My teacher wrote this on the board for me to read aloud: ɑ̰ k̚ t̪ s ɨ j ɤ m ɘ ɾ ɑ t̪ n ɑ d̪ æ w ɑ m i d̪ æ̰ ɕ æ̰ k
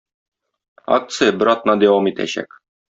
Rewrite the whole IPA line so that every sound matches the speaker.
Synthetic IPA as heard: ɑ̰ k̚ t̪ s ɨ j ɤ b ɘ ɾ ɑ t̪ n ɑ d̪ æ w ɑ m i t̪ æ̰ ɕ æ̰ k